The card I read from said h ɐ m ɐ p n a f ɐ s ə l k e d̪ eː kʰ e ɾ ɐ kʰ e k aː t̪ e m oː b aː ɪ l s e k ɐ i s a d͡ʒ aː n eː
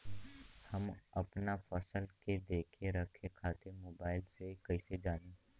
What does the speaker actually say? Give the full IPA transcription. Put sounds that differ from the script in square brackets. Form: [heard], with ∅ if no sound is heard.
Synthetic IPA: h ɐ m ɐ p n a f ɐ s ə l k e d̪ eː kʰ e ɾ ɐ kʰ e [kʰ] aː t̪ e m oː b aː ɪ l s e k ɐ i s [e] d͡ʒ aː n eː